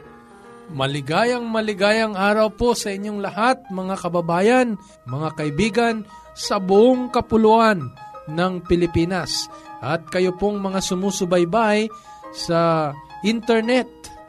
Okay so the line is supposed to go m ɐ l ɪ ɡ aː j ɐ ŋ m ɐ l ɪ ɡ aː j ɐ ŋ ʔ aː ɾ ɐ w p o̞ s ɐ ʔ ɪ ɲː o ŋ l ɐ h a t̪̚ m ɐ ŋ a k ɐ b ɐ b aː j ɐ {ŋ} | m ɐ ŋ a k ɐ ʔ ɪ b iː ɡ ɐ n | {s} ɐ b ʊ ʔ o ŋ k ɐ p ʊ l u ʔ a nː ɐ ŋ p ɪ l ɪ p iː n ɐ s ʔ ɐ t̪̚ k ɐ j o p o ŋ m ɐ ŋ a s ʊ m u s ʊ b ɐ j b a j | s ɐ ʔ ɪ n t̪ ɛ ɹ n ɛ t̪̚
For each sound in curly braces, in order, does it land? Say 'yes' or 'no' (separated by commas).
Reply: no, yes